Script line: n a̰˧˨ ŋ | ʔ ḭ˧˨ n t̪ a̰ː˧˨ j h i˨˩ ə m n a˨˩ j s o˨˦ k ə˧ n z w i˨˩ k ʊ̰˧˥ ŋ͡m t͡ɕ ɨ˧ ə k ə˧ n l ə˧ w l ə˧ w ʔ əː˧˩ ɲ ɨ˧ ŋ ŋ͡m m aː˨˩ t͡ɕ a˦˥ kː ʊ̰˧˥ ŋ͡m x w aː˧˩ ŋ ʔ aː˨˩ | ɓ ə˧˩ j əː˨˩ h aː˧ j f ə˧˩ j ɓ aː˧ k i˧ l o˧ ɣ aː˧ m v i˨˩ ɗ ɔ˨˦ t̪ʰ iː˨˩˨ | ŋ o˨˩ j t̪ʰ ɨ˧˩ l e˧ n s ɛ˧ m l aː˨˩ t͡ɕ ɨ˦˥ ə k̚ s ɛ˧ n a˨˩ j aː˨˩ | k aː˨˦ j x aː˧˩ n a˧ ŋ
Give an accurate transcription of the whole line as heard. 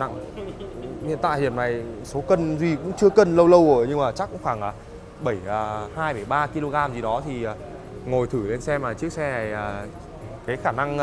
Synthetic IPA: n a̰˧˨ ŋ | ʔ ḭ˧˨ n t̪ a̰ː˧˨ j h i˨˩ ə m n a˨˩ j s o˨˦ k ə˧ n z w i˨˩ k ʊ̰˧˥ ŋ͡m t͡ɕ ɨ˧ ə k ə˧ n l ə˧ w l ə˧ w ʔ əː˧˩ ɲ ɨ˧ ŋ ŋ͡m m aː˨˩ t͡ɕ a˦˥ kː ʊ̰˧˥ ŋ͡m x w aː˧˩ ŋ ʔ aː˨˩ | ɓ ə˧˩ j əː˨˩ h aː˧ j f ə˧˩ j ɓ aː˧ k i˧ l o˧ ɣ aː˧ m z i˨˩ ɗ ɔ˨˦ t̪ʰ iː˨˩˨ | ŋ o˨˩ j t̪ʰ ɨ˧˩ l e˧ n s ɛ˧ m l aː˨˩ t͡ɕ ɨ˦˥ ə k̚ s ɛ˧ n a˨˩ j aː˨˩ | k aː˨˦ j x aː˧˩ n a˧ ŋ